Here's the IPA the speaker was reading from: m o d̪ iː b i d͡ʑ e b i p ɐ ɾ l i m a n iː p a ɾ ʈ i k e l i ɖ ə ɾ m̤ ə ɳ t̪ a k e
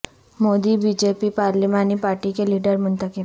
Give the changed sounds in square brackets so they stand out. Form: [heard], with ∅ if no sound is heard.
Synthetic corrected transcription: m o d̪ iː b i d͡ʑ e [p] i p [a] ɾ l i m a n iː p a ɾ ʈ i k e l i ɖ ə ɾ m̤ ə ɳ t̪ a k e